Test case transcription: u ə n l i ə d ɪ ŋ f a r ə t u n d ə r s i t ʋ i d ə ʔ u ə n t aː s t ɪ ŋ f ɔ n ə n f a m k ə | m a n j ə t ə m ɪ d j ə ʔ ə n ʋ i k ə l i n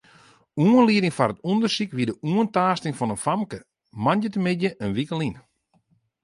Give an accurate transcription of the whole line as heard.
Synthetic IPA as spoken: u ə n l i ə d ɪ ŋ f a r ə t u n d ə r s i k ʋ i d ə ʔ u ə n t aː s t ɪ ŋ f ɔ n ə n f a m k ə | m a n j ə t ə m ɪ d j ə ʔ ə n ʋ i k ə l i n